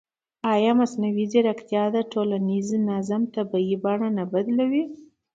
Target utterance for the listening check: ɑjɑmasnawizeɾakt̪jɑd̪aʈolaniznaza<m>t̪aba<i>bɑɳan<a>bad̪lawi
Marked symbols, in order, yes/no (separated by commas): yes, yes, yes